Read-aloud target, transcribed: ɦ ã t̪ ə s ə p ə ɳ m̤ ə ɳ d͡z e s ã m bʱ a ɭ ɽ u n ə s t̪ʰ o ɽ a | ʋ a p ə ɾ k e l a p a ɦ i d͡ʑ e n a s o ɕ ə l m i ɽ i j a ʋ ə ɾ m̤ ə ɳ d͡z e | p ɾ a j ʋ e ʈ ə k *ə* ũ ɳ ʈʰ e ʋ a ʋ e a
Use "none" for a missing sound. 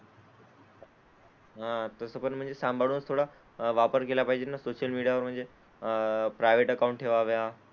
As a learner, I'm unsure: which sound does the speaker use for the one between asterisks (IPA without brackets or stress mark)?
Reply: a